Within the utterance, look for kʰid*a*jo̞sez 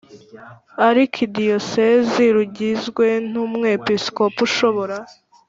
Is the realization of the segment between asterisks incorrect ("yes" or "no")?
yes